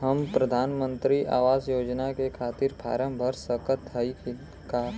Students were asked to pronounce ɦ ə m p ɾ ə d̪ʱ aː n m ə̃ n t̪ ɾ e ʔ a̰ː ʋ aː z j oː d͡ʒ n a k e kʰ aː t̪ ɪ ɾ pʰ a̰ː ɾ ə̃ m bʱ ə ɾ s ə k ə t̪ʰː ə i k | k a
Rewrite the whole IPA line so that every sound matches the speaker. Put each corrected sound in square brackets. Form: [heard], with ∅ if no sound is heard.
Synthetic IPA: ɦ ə m p ɾ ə d̪ʱ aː n m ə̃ n t̪ ɾ [i] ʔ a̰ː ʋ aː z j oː d͡ʒ n a k e kʰ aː t̪ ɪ ɾ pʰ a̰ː ɾ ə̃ m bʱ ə ɾ s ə k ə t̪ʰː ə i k | k a

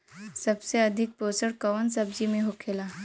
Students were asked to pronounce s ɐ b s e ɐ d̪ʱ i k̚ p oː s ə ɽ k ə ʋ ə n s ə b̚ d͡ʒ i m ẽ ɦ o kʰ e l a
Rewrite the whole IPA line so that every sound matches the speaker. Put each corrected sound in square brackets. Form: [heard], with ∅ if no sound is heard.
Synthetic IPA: s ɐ b s e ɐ d̪ʱ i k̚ p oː s ə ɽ k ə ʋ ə n s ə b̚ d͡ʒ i m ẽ ɦ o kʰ e l a

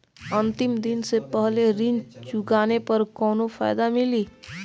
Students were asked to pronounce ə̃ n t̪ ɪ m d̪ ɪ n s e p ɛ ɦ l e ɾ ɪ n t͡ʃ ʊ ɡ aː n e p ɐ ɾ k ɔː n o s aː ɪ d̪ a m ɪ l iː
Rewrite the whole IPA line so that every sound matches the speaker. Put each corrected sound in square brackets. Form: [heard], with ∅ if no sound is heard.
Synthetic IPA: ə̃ n t̪ ɪ m d̪ ɪ n s e p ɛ ɦ l e ɾ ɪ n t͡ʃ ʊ ɡ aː n e p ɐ ɾ k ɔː n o [f] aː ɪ d̪ a m ɪ l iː

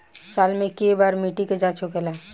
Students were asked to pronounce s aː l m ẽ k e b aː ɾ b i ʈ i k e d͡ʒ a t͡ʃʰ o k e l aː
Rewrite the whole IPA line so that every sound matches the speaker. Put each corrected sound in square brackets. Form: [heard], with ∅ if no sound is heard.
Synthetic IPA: s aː l m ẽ k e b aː ɾ [m] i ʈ i k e d͡ʒ a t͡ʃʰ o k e l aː

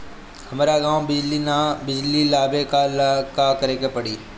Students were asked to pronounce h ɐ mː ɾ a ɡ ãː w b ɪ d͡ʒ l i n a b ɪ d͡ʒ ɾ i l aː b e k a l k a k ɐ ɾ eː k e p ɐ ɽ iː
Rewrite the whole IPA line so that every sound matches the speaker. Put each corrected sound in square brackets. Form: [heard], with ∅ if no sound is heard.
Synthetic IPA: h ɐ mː ɾ a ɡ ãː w b ɪ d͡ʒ l i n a b ɪ d͡ʒ [l] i l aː b e k a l k a k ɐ ɾ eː k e p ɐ ɽ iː

